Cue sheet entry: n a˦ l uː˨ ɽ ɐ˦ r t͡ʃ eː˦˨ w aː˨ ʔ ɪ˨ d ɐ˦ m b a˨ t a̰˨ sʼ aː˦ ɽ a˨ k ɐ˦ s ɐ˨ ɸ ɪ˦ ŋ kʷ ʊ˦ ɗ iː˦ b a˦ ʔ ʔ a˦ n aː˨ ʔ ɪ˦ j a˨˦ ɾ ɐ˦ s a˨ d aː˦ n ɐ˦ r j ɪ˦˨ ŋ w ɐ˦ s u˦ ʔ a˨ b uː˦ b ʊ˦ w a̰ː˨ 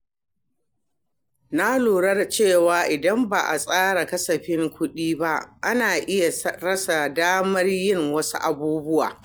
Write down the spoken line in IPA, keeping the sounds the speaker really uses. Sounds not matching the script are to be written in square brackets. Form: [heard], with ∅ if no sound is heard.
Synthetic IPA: n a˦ l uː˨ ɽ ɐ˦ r t͡ʃ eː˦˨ w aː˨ ʔ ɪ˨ d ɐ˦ m b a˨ [ʔ] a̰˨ sʼ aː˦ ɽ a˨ k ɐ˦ s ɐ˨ ɸ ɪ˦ ŋ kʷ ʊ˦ ɗ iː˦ b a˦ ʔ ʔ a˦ n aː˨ ʔ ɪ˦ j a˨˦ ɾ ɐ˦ s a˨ d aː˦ [m] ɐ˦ r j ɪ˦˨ ŋ w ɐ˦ s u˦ ʔ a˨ b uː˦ b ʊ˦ w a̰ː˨

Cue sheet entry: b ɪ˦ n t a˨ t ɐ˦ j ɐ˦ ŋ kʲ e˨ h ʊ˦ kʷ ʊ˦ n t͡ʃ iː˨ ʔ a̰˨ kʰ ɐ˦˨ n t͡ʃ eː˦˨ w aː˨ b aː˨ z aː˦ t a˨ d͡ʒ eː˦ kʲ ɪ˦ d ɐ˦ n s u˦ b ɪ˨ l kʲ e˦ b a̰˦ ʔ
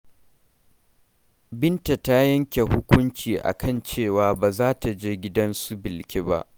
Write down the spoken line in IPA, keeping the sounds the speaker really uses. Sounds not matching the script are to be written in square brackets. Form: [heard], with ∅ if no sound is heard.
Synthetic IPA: b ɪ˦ n t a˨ t [a˦] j ɐ˦ ŋ kʲ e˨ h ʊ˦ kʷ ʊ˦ n t͡ʃ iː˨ ʔ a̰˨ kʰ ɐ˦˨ n t͡ʃ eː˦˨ w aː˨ b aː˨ z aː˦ t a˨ d͡ʒ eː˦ [ɡʲ] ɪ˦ d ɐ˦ n s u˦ b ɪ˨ l kʲ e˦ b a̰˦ ʔ

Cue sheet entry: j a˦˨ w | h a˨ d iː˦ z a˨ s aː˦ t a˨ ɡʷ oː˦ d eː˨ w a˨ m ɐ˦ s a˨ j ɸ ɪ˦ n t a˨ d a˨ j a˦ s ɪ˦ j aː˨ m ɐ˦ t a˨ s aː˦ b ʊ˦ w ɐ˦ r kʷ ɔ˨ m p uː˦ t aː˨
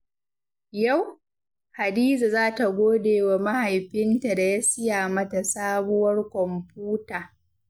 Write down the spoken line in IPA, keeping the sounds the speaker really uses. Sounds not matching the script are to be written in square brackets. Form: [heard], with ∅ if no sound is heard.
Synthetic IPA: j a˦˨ w | h a˨ d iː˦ z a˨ [z] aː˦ t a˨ ɡʷ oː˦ d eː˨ w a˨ m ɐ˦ [h] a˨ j ɸ ɪ˦ n t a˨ d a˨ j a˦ s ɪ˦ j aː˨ m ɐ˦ t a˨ s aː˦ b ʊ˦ w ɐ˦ r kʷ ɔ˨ m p uː˦ t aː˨

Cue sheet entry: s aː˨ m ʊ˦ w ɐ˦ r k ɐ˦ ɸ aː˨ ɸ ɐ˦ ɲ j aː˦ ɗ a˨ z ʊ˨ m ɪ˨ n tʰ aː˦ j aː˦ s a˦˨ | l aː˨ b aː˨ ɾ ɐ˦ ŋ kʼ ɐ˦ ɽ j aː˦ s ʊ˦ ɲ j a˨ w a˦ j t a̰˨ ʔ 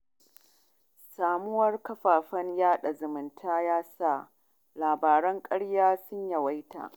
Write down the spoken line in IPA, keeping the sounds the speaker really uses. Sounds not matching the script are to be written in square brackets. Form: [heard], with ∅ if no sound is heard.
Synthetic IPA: s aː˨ m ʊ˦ w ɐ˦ r k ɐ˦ ɸ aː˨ ɸ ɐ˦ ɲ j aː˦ ɗ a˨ z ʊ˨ m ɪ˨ n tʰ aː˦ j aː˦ s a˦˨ | l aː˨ b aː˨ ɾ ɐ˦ ŋ kʼ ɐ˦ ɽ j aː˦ s ʊ˦ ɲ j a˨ w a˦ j t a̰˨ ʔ

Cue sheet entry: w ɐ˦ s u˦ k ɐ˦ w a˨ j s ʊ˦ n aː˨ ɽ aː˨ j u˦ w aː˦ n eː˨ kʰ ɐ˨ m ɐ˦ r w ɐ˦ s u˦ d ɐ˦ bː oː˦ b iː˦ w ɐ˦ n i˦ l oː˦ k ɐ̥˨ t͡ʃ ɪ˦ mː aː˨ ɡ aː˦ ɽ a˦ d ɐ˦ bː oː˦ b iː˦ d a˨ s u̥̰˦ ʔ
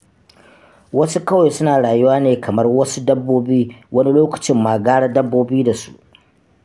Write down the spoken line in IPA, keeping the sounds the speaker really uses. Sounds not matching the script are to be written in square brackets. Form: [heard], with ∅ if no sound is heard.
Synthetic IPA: w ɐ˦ s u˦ k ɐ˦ w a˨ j s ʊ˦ n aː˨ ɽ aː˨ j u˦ w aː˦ n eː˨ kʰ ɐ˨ m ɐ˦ r w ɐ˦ s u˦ d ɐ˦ bː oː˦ b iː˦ w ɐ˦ n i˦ l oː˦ k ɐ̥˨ t͡ʃ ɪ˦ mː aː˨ ɡ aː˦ ɽ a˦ d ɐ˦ bː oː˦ b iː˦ d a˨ s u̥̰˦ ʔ

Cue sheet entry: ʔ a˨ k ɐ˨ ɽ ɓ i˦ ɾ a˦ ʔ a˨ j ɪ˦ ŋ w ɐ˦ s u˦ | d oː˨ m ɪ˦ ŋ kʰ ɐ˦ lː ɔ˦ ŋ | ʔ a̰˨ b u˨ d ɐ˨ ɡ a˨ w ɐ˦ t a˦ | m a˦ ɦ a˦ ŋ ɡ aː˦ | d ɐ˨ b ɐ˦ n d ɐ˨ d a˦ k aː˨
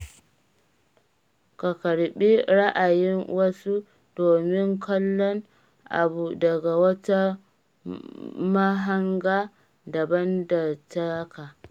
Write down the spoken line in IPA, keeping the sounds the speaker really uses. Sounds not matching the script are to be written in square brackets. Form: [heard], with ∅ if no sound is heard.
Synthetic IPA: [k] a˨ k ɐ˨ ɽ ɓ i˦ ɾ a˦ ʔ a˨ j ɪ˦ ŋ w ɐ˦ s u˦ | d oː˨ m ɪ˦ ŋ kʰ ɐ˦ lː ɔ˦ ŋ | ʔ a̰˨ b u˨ d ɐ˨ ɡ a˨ w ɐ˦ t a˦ | m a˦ ɦ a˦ ŋ ɡ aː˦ | d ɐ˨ b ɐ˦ n d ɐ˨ [t] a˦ k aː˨

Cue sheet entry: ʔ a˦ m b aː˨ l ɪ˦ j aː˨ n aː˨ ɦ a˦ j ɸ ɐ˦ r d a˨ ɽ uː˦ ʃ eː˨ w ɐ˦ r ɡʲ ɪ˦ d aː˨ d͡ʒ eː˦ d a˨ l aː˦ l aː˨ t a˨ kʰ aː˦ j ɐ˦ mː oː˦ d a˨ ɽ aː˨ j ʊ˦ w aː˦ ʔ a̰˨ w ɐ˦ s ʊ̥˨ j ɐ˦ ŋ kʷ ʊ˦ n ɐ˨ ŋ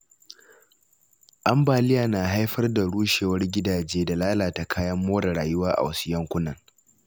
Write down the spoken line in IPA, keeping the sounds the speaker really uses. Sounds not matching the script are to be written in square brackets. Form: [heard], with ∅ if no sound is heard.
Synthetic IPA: ʔ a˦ m b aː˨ l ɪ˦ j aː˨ n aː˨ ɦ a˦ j ɸ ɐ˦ r d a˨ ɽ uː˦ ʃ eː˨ w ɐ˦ r ɡʲ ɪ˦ d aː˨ d͡ʒ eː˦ d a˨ l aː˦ l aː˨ t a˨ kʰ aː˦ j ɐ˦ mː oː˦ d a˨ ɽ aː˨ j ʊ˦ w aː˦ ʔ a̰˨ w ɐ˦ s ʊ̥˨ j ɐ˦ ŋ kʷ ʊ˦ n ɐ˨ ŋ

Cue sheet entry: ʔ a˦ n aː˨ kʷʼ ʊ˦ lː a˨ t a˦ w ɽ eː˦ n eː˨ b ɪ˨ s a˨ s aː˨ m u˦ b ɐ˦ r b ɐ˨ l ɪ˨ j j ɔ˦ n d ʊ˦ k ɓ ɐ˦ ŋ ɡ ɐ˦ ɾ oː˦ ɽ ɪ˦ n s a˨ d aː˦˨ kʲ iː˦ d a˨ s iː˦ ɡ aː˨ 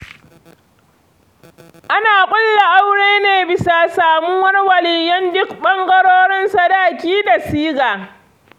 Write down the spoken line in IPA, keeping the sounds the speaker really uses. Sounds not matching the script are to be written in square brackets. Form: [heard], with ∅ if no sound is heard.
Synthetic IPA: ʔ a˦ n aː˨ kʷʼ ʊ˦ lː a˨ [ʔ] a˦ w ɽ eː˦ n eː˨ b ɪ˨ s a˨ s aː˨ m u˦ [w] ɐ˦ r [w] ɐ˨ l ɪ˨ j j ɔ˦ n d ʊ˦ k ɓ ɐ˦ ŋ ɡ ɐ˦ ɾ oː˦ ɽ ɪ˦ n s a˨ d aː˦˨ kʲ iː˦ d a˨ s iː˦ ɡ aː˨

